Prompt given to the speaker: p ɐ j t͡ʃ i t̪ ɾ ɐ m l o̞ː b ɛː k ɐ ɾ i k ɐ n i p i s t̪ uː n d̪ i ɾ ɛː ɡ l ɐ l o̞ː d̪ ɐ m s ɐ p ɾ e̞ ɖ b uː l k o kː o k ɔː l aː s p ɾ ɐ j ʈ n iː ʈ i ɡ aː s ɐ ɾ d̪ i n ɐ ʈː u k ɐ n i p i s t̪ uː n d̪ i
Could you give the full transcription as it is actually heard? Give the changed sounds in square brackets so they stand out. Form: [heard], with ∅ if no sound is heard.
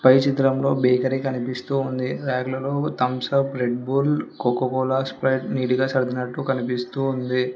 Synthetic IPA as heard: p ɐ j t͡ʃ i t̪ ɾ ɐ m l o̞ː b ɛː k ɐ ɾ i k ɐ n i p i s t̪ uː n d̪ i ɾ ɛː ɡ l ɐ l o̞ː [t̪] ɐ m s ɐ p ɾ e̞ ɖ b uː l k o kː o k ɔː l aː s p ɾ ɐ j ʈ n iː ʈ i ɡ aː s ɐ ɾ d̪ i n ɐ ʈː u k ɐ n i p i s t̪ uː n d̪ i